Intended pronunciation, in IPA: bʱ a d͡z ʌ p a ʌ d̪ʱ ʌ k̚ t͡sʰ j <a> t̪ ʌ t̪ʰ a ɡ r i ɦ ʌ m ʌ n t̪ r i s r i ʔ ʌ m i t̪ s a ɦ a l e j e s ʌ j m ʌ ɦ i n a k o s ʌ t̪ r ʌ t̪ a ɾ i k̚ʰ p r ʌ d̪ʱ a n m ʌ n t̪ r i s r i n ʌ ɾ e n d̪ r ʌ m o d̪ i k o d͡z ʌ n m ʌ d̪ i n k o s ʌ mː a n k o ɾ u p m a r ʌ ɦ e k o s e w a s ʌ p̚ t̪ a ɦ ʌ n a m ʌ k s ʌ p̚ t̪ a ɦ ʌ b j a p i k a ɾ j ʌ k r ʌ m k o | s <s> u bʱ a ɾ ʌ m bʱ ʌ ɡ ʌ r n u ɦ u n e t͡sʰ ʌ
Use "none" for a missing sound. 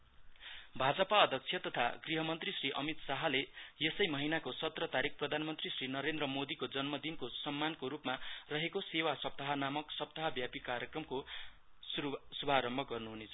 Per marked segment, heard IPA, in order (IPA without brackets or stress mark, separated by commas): ʌ, s